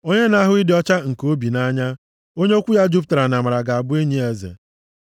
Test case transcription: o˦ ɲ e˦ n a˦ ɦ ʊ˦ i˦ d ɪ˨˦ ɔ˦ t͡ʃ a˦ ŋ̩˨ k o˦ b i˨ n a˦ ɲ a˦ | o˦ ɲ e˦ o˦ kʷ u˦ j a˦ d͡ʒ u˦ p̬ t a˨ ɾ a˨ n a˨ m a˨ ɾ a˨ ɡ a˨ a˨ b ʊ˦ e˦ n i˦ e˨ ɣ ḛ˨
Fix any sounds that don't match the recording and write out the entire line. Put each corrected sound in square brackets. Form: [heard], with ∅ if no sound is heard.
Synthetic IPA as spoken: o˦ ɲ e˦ n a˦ ɦ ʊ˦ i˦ d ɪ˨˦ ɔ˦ t͡ʃ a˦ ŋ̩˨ k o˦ b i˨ n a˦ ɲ a˦ | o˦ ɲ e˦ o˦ kʷ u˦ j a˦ d͡ʒ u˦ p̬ t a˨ ɾ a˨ n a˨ m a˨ ɾ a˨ ɡ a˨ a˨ b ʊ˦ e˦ [ɲ] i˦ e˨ [z] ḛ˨